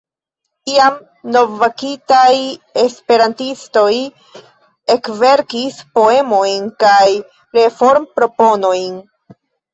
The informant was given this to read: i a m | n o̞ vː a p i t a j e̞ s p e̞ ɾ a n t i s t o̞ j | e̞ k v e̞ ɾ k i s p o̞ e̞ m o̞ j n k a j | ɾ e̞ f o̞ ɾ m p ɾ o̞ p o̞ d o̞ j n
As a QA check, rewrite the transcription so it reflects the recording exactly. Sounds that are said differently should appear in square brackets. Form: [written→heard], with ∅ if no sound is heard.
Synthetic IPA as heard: i a m | n o̞ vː a [p→k] i t a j e̞ s p e̞ ɾ a n t i s t o̞ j | e̞ k v e̞ ɾ k i s p o̞ e̞ m o̞ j n k a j | ɾ e̞ f o̞ ɾ m p ɾ o̞ p o̞ [d→n] o̞ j n